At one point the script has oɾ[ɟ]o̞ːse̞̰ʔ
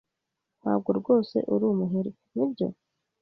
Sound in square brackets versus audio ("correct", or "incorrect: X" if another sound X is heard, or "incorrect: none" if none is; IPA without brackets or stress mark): incorrect: ɡ